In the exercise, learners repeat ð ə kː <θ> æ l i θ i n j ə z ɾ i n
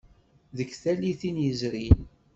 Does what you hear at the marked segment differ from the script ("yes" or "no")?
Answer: no